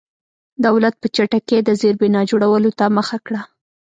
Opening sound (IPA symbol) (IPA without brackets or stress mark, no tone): d̪